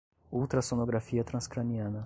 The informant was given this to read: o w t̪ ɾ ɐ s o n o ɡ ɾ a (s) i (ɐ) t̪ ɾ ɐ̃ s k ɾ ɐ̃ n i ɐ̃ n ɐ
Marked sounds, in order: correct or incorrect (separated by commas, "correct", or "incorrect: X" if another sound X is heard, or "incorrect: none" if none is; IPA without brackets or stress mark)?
incorrect: f, correct